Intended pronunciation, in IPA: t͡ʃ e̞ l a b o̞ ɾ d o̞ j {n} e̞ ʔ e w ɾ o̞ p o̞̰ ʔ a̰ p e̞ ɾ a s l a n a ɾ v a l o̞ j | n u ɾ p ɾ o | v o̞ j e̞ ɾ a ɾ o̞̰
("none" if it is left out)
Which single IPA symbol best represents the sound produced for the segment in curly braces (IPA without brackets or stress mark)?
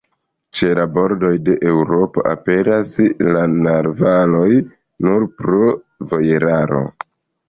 d